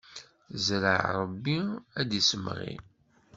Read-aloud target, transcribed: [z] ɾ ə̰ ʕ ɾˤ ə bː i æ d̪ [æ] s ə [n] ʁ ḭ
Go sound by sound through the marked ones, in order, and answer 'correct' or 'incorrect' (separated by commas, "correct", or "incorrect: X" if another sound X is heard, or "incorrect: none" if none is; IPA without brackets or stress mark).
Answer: correct, incorrect: i, incorrect: m